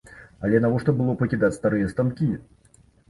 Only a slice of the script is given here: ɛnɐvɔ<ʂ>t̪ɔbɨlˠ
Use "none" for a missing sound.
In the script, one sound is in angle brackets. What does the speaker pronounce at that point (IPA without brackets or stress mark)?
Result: ʂ